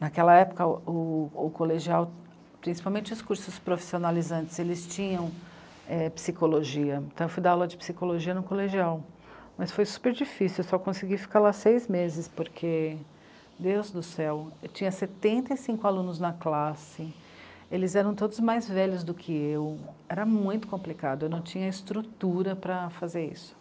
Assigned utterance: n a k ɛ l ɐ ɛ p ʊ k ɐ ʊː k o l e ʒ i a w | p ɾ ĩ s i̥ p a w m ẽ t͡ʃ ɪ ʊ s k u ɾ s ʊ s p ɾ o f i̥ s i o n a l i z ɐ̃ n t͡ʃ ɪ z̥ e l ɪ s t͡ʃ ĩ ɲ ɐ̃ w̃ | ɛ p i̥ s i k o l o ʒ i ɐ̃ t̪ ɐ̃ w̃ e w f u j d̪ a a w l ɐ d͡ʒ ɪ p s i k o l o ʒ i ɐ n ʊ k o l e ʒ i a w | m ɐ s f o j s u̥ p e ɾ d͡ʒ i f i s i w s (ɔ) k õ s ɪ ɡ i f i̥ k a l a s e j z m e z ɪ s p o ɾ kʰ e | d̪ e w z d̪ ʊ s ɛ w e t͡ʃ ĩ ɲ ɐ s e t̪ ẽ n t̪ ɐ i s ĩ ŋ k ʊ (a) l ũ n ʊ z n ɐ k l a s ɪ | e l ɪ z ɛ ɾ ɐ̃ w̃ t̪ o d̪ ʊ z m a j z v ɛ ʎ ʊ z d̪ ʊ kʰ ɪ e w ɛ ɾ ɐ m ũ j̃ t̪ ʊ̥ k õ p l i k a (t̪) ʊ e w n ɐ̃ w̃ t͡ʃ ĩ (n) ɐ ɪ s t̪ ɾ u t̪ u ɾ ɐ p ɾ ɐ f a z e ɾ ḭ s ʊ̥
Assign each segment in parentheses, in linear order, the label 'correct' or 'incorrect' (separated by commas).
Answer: correct, correct, incorrect, incorrect